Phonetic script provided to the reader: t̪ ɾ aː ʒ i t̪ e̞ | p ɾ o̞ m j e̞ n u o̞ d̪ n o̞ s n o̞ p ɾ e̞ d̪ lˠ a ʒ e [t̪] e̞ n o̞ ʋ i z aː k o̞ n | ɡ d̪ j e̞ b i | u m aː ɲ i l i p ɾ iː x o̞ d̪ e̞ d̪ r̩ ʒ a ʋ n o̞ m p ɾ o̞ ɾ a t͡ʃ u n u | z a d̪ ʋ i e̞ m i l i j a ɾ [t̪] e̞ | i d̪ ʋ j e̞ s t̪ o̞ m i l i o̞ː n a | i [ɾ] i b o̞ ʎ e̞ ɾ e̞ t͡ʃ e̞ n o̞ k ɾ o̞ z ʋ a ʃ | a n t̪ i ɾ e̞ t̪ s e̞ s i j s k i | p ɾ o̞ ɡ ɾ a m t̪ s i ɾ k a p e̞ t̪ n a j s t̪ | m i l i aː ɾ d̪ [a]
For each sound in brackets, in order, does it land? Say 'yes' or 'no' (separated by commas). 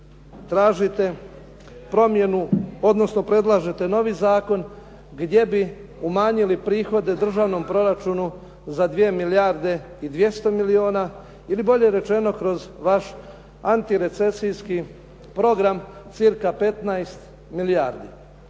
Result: yes, no, no, no